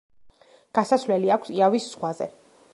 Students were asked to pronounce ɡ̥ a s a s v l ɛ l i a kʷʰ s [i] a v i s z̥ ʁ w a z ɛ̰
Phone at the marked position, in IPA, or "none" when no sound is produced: i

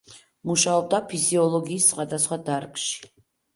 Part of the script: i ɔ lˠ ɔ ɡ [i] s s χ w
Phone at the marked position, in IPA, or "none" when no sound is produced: iː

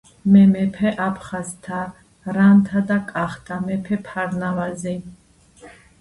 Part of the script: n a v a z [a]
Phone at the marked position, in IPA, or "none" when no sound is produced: i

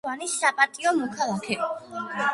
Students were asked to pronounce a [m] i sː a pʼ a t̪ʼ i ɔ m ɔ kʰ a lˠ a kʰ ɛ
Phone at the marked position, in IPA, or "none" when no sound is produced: n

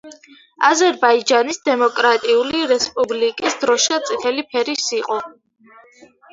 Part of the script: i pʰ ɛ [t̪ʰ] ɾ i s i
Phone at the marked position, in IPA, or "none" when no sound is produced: none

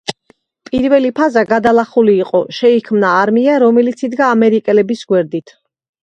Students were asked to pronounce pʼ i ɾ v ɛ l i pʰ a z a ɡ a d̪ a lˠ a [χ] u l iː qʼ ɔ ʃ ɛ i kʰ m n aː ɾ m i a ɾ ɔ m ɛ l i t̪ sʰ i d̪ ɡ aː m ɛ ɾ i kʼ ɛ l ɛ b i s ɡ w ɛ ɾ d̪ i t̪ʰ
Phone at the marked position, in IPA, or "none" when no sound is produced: χ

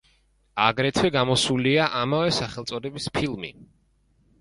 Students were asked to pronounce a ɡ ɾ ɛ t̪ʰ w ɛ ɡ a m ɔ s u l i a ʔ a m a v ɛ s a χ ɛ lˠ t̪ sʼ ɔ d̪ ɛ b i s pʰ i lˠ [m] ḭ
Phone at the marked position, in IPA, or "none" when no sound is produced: m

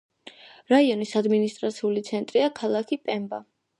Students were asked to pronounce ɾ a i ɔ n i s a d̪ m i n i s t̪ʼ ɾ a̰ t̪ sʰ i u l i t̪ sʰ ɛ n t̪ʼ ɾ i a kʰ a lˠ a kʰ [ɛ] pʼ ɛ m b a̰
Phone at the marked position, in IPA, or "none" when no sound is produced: i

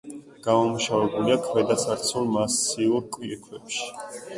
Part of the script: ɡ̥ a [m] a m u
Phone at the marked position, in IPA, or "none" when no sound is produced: m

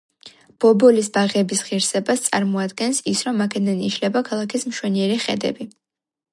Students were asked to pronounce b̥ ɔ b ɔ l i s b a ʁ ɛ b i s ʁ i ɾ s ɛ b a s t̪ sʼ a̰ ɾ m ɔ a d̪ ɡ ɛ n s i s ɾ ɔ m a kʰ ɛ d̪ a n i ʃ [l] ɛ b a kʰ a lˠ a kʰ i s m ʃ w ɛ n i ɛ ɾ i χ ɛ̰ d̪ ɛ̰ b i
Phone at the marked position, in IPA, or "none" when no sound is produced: l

